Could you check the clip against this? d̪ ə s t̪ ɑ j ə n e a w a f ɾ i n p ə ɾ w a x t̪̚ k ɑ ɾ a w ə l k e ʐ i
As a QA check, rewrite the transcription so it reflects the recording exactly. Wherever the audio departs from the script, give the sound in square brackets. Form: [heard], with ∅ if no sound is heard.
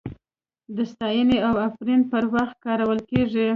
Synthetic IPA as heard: d̪ ə s t̪ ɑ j ə n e a w a f ɾ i n p ə ɾ w a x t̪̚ k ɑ ɾ a w ə l k e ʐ i